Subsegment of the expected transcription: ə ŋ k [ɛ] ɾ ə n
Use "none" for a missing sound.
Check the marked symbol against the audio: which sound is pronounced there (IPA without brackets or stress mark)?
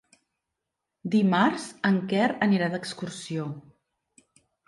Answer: ɛ